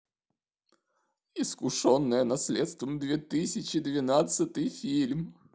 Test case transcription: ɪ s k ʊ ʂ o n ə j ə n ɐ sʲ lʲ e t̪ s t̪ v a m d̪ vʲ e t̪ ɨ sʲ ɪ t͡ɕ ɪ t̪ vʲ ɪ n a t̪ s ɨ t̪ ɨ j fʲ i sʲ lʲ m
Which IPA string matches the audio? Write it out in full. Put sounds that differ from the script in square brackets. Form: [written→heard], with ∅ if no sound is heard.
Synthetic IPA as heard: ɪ s k ʊ ʂ o [n→nː] ə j ə n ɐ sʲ lʲ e t̪ s t̪ v [a→ə] m d̪ vʲ e t̪ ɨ sʲ ɪ t͡ɕ ɪ [t̪→d̪] vʲ ɪ n a t̪ s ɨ t̪ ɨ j fʲ i [sʲ→∅] lʲ m